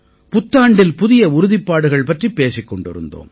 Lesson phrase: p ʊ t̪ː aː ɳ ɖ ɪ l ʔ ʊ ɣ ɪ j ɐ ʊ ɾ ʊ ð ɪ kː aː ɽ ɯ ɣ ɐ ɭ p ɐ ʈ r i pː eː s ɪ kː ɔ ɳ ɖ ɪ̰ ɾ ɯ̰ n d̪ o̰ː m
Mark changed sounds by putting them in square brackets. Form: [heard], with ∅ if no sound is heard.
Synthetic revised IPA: p ʊ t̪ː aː ɳ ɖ ɪ l [p] ʊ [ð] ɪ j ɐ ʊ ɾ ʊ ð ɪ [pː] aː ɽ ɯ ɣ ɐ ɭ p ɐ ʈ r i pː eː s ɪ kː ɔ ɳ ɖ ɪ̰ ɾ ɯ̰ n d̪ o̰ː m